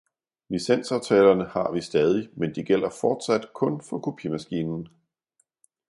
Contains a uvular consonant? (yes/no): no